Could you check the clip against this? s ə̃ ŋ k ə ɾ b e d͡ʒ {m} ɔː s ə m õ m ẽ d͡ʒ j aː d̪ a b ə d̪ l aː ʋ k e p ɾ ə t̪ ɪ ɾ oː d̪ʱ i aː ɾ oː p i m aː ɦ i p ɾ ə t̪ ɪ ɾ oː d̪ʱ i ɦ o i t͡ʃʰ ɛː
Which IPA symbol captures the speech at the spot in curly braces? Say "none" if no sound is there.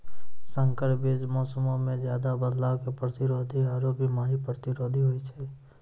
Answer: m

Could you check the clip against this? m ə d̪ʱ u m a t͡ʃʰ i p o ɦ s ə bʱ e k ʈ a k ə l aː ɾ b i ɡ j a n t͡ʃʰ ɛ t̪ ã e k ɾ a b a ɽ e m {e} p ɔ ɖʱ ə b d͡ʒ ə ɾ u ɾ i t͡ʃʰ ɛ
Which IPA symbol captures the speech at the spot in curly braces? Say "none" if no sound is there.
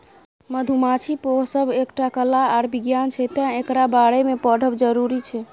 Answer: e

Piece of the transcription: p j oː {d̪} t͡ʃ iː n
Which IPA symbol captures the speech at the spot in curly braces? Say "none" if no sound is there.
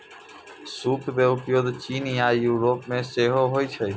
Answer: d̪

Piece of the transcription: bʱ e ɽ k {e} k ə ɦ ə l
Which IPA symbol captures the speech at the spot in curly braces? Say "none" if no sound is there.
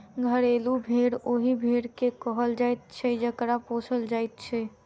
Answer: e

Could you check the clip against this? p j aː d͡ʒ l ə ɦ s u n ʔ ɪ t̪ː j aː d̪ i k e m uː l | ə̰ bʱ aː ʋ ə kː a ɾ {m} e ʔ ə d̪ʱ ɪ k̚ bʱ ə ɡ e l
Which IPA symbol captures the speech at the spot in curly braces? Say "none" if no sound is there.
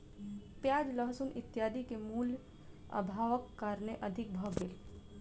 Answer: n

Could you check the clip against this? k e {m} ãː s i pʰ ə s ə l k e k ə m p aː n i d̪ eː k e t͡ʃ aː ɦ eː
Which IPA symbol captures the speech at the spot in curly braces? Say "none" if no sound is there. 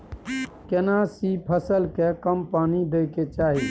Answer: n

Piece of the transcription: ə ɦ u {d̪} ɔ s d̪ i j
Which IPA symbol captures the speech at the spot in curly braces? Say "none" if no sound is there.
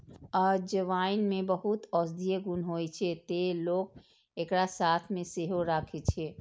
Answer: t̪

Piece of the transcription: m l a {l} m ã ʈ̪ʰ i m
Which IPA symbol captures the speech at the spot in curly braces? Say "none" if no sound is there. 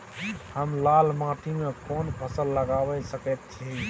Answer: l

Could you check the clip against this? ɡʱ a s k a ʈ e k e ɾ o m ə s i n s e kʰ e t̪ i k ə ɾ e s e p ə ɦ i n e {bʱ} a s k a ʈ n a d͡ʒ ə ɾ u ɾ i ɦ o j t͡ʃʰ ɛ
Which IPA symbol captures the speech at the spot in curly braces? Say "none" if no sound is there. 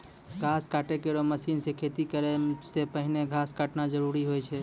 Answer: ɡʱ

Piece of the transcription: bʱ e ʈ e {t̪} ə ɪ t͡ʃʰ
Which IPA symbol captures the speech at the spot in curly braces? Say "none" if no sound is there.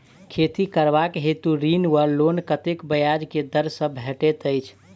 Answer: t̪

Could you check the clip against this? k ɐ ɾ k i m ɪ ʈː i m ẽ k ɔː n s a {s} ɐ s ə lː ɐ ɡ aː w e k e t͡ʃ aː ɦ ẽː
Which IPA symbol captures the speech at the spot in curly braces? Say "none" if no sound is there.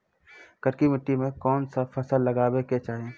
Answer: f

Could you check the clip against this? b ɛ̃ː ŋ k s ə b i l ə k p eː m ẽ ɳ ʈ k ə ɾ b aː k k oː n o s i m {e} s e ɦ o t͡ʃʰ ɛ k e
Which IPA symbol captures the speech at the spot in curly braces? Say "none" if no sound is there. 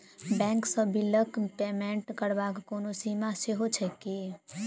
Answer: a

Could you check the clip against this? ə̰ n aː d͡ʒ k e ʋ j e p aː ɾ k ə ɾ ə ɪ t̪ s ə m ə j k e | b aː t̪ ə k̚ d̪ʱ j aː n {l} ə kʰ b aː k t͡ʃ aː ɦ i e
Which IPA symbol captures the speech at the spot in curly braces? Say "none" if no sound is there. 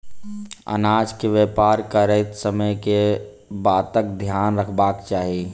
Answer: ɾ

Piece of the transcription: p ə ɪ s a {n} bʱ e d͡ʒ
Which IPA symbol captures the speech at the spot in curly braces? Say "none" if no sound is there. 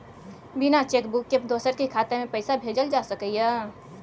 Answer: none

